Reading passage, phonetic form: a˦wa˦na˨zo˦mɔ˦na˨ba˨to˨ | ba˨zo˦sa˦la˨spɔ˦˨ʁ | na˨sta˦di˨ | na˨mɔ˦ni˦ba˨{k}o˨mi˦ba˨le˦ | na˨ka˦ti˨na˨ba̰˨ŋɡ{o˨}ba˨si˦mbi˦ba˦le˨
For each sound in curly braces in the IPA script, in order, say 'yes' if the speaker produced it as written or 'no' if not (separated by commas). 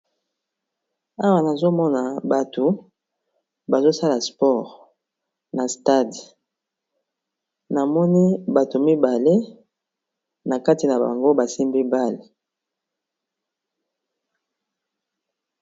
no, no